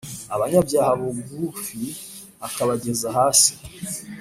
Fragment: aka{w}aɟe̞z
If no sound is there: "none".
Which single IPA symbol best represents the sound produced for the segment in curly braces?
β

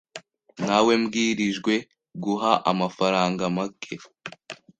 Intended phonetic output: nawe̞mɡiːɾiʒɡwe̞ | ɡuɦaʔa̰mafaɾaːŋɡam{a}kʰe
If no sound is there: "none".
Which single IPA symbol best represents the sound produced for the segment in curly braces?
a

